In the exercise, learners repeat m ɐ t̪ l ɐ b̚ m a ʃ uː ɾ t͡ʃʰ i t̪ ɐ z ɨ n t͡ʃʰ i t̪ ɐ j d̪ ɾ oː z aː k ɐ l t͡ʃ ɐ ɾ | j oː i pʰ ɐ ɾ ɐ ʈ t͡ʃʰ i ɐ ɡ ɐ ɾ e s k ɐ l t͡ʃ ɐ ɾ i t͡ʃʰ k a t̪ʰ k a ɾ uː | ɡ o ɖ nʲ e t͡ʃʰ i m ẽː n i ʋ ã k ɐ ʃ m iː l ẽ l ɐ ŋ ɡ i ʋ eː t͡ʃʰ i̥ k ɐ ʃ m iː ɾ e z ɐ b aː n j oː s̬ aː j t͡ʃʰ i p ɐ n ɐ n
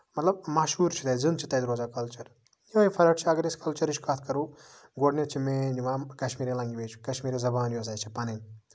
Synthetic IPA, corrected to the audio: m ɐ t̪ l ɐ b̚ m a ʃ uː ɾ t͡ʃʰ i t̪ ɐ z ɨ n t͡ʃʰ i t̪ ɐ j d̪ ɾ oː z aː k ɐ l t͡ʃ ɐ ɾ | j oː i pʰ ɐ ɾ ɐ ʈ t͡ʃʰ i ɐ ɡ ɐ ɾ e s k ɐ l t͡ʃ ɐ ɾ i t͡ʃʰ k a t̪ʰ k ɐ ɾ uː | ɡ o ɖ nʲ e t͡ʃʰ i m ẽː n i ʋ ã k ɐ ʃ m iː ɾ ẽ l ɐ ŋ ɡ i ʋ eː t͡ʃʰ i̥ k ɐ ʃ m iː ɾ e z ɐ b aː n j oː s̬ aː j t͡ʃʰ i p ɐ n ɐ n